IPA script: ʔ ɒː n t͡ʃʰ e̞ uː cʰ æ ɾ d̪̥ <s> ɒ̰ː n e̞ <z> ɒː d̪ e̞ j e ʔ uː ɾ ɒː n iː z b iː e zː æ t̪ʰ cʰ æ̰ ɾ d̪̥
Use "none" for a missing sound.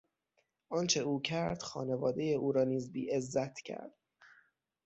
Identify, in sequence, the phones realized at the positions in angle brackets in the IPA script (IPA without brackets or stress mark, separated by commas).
x, v